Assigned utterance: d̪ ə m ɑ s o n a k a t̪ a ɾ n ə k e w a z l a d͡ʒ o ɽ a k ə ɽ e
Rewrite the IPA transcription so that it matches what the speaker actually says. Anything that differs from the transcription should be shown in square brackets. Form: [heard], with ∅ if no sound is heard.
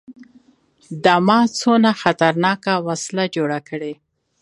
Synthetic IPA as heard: d̪ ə m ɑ [t͡s] o n a [x] a t̪ a ɾ n [ɑ] k [a] w a [s] l a d͡ʒ o ɽ a k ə ɽ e